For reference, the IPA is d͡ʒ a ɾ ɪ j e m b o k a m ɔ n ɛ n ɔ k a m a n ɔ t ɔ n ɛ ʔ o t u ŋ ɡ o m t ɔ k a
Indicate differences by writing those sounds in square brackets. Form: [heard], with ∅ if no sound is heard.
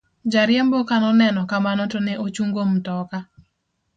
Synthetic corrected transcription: d͡ʒ a ɾ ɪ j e m b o k a [n] ɔ n ɛ n ɔ k a m a n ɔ t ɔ n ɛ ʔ o [t͡ʃ] u ŋ ɡ o m t ɔ k a